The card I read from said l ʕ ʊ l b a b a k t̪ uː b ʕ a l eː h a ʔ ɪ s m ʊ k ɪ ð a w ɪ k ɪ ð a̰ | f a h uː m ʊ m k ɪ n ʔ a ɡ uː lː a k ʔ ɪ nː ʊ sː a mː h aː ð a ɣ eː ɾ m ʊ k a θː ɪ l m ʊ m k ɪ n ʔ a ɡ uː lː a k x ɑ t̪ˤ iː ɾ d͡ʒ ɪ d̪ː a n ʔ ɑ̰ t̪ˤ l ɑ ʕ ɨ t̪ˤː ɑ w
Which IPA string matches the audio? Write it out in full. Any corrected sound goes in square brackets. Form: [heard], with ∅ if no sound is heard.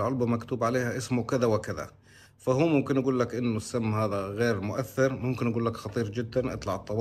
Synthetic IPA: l ʕ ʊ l b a [m] a k t̪ uː b ʕ a l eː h a ʔ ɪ s m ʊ k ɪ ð a w ɪ k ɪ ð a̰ | f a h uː m ʊ m k ɪ n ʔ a ɡ uː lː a k ʔ ɪ nː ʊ sː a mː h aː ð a ɣ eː ɾ m ʊ [ʔ] a θː ɪ [ɾ] m ʊ m k ɪ n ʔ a ɡ uː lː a k x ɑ t̪ˤ iː ɾ d͡ʒ ɪ d̪ː a n ʔ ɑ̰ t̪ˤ l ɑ ʕ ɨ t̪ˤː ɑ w

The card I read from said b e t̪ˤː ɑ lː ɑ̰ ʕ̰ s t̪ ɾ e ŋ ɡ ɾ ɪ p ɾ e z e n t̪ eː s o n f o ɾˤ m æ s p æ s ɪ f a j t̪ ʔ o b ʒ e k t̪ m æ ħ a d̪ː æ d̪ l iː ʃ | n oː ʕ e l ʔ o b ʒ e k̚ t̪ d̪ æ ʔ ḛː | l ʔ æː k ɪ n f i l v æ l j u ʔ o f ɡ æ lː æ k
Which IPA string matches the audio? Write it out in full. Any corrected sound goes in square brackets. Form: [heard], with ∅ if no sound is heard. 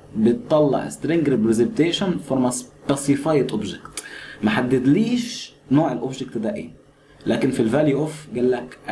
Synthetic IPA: b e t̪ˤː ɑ lː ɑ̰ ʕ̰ s t̪ ɾ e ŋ ɡ ɾ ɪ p ɾ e z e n t̪ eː [ʃ] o n f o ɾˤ m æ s p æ s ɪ f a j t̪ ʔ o b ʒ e k t̪ m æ ħ a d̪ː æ d̪ l iː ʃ | n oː ʕ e l ʔ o b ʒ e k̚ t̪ d̪ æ ʔ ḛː | l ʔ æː k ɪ n f i l v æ l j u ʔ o f ɡ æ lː æ k

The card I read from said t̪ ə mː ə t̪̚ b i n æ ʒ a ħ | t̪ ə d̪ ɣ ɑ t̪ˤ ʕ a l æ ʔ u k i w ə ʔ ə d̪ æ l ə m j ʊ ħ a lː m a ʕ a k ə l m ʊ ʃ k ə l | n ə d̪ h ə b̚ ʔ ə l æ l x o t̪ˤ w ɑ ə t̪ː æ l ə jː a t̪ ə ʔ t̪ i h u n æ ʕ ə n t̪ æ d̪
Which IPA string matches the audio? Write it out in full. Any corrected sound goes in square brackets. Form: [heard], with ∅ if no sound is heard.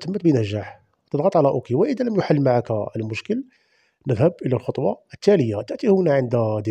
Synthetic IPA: t̪ ə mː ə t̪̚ b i n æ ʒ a ħ | t̪ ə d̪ ɣ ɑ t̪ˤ ʕ a l æ ʔ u k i w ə ʔ ə d̪ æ l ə m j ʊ ħ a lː m a ʕ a k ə l m ʊ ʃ k ə l | n ə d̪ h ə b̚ ʔ ə l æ l x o t̪ˤ w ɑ ə t̪ː æ l ə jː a t̪ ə ʔ t̪ i h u n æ ʕ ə n [d̪] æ d̪

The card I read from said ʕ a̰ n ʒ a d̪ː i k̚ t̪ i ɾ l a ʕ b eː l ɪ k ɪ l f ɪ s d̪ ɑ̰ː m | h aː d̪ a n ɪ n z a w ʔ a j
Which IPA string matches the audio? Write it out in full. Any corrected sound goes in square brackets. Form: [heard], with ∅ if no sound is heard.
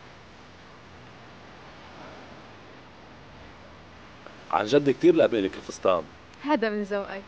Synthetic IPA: ʕ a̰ n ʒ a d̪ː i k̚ t̪ [iː] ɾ l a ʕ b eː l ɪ k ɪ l f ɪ s [t̪] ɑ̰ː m | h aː d̪ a [m] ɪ n z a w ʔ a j

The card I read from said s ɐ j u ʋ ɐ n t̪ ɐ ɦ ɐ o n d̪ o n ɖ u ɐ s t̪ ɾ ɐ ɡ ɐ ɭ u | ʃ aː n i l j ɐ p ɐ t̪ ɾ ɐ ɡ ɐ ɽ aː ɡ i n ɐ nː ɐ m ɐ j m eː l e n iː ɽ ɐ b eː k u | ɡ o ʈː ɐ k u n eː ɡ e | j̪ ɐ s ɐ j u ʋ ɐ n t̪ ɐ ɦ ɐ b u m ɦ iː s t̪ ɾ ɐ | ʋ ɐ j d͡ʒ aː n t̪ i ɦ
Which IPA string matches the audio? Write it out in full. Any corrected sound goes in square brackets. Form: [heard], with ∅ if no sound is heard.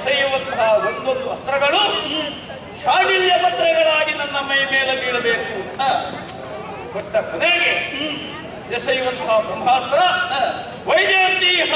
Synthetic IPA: s ɐ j u ʋ ɐ n t̪ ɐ ɦ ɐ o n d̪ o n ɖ u ɐ s t̪ ɾ ɐ ɡ ɐ ɭ u | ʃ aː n i l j ɐ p ɐ t̪ ɾ ɐ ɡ ɐ [ɭ] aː ɡ i n ɐ nː ɐ m ɐ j m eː l e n iː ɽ ɐ b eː k u | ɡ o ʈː ɐ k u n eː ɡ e | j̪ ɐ s ɐ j u ʋ ɐ n t̪ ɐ ɦ ɐ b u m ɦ [aː] s t̪ ɾ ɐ | ʋ ɐ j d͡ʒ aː n t̪ i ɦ

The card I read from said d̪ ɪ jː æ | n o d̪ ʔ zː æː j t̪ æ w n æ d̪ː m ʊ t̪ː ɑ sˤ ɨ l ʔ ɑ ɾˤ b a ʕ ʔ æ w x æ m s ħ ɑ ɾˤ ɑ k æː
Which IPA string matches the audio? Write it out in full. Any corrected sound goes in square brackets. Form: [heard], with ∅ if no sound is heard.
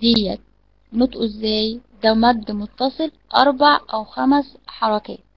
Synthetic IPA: d̪ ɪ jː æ | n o [t̪] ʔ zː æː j [d̪] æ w [m] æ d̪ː m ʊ t̪ː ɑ sˤ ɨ l ʔ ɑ ɾˤ b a ʕ ʔ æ w x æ m s ħ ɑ ɾˤ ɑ k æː

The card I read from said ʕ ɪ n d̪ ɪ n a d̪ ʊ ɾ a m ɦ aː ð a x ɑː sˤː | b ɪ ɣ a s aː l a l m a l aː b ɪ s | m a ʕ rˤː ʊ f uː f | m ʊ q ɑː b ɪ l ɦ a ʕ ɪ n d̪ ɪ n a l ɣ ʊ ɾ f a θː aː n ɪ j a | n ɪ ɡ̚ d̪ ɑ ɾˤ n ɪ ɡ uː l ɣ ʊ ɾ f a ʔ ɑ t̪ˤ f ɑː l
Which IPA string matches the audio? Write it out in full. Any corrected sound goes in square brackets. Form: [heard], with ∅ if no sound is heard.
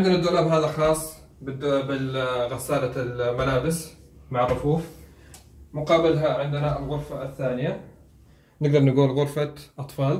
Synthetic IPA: ʕ ɪ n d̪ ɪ n a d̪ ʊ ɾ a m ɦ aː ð a x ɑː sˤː | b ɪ ɣ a s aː l a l m a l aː b ɪ s | m a ʕ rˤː ʊ f uː f | m ʊ q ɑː b ɪ l ɦ a ʕ ɪ n d̪ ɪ n a l ɣ ʊ ɾ f a θː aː n ɪ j a | n ɪ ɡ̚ d̪ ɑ ɾˤ n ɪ ɡ uː l ɣ ʊ ɾ f a ʔ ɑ t̪ˤ f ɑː l

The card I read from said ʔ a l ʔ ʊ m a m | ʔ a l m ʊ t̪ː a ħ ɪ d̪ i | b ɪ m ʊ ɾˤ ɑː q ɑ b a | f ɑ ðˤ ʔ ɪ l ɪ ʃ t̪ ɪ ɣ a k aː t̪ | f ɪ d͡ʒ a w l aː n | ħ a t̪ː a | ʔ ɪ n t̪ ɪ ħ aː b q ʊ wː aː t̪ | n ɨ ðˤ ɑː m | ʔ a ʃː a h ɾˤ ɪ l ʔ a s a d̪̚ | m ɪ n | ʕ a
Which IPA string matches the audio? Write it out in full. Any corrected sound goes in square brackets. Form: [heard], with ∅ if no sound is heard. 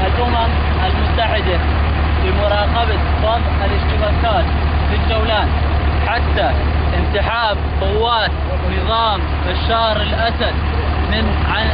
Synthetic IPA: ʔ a l ʔ ʊ m a m | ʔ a l m ʊ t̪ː a ħ ɪ d̪ [a] | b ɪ m ʊ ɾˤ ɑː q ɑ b a | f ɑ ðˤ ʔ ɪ l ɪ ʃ t̪ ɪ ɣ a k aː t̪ | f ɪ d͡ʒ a w l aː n | ħ a t̪ː a | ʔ ɪ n t̪ ɪ ħ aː b q ʊ wː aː t̪ | n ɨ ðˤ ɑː m | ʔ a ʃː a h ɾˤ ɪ l ʔ a s a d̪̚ | m ɪ n | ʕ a

